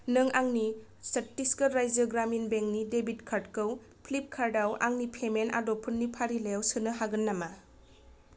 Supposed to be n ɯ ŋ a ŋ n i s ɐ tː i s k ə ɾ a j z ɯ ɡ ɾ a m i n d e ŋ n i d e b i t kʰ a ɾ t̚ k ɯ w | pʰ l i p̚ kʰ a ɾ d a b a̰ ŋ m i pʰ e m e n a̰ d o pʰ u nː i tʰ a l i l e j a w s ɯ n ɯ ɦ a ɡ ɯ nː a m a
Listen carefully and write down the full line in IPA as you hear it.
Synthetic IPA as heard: n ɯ ŋ a ŋ n i s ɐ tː i s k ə ɾ a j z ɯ ɡ ɾ a m i n b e ŋ n i d e b i t kʰ a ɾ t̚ k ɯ w | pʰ l i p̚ kʰ a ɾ d a w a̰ ŋ n i pʰ e m e n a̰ d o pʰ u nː i pʰ a ɾ i l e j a w s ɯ n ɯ ɦ a ɡ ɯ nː a m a